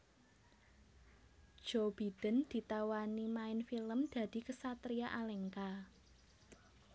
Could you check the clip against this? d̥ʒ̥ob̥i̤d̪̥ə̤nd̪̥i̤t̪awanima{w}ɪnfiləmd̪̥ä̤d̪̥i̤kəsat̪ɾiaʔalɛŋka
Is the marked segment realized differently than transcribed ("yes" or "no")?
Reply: yes